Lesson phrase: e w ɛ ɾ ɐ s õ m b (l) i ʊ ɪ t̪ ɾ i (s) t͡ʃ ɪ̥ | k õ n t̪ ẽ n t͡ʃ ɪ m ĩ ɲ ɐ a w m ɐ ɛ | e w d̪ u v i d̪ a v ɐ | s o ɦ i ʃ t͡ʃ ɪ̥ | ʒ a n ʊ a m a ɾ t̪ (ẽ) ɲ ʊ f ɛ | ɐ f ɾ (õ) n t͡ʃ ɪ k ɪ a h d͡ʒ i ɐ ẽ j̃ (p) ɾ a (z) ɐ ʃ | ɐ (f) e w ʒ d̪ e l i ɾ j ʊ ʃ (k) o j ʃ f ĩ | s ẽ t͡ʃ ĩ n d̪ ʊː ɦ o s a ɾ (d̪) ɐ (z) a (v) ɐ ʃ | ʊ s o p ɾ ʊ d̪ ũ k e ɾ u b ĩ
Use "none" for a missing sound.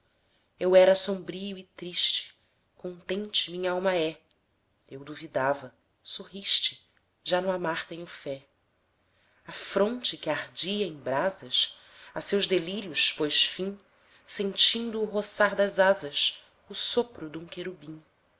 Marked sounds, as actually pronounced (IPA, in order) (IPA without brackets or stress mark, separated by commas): ɾ, ʃ, ẽ, õ, b, z, s, p, d̪, z, z